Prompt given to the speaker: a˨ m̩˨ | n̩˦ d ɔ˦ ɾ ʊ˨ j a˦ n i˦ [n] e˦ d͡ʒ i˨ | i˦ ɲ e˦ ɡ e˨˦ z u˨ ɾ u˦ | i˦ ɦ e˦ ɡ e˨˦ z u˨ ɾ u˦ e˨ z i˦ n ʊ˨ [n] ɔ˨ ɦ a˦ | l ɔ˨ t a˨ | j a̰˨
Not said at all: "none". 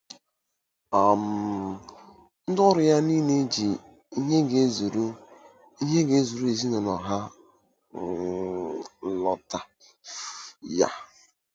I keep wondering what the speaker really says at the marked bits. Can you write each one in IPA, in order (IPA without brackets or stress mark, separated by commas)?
n, n